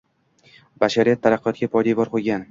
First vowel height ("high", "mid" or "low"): low